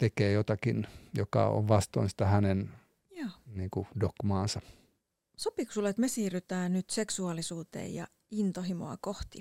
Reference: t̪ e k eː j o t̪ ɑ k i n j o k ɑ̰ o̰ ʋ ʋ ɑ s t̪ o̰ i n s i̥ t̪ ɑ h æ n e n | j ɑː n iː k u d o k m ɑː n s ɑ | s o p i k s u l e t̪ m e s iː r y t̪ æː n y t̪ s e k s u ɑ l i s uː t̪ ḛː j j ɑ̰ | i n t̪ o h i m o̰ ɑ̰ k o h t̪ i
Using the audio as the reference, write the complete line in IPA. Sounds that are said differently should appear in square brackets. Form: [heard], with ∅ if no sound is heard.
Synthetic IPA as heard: t̪ e k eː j o t̪ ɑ k i n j o k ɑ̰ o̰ ʋ ʋ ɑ s t̪ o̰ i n s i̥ t̪ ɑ h æ n e n | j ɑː n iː k u d o k m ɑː n s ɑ | s o p i k s u l e t̪ m e s iː r y t̪ æː n y t̪ s e k s u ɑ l i s uː t̪ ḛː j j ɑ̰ | i n t̪ o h i m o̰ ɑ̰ k o h t̪ i